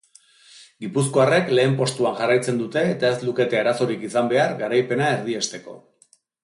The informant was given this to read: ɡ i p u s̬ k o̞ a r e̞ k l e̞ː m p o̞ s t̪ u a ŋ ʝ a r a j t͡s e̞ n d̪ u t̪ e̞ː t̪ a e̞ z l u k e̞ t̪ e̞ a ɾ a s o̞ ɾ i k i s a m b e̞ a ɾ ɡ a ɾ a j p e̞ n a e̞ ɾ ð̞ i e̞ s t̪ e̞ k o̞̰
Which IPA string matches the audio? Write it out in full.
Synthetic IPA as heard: ɡ i p u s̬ k o̞ a r e̞ k l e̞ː m p o̞ s t̪ u a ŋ ʝ a r a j t͡s e̞ n d̪ u t̪ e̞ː t̪ a e̞ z l u k e̞ t̪ e̞ a ɾ a s o̞ ɾ i k i s a m b e̞ a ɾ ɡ a ɾ a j p e̞ n a e̞ ɾ ð̞ i e̞ s t̪ e̞ k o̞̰